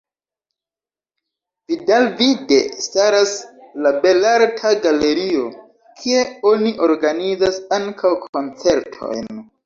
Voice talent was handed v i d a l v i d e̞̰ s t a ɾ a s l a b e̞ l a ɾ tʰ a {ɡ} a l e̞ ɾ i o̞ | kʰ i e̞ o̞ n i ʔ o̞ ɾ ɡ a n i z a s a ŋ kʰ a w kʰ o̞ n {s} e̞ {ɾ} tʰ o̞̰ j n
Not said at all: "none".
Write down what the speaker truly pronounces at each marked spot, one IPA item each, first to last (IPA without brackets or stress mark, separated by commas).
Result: ɡ, t͡s, ɾ